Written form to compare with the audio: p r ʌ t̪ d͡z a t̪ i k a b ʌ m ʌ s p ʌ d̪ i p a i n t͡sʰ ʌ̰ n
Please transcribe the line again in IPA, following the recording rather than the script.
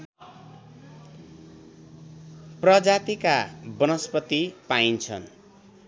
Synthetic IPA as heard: p r ʌ d͡z a t̪ i k a b ʌ n ʌ s p ʌ t̪ i p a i n t͡sʰ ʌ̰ n